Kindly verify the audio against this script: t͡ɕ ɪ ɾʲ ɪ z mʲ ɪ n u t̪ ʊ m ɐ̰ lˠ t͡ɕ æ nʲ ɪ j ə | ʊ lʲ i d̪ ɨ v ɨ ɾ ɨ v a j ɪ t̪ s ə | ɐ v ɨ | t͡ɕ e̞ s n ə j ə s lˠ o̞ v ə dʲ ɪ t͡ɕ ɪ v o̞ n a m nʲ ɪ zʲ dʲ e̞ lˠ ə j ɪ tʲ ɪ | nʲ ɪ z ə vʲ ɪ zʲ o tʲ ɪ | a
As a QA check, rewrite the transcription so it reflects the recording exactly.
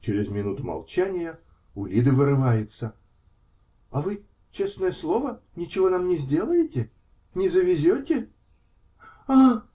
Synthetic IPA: t͡ɕ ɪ ɾʲ ɪ z mʲ ɪ n u t̪ ʊ m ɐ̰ lˠ t͡ɕ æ nʲ ɪ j ə | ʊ lʲ i d̪ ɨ v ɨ ɾ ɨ v a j ɪ t̪ s ə | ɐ v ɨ | t͡ɕ e̞ s n ə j ə s lˠ o̞ v ə nʲ ɪ t͡ɕ ɪ v o̞ n a m nʲ ɪ zʲ dʲ e̞ lˠ ə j ɪ tʲ ɪ | nʲ ɪ z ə vʲ ɪ zʲ o tʲ ɪ | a